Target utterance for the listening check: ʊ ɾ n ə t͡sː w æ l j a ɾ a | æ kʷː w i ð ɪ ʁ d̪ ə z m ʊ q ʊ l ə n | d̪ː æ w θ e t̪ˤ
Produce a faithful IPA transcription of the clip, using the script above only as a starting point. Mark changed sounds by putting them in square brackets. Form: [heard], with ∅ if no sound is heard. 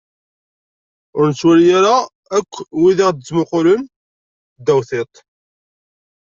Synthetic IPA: ʊ ɾ n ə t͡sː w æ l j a ɾ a | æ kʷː w i ð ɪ ʁ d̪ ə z m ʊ q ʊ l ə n | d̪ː æ w θ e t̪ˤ